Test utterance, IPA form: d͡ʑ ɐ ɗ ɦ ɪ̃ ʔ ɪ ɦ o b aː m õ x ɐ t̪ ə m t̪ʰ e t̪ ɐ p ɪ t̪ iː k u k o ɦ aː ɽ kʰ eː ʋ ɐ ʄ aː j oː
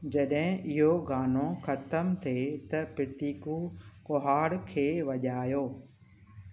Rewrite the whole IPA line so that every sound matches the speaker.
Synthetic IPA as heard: d͡ʑ ɐ ɗ ɦ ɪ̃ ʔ ɪ ɦ o ɡ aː n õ x ɐ t̪ ə m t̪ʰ e t̪ ɐ p ɪ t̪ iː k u k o ɦ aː ɽ kʰ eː ʋ ɐ ʄ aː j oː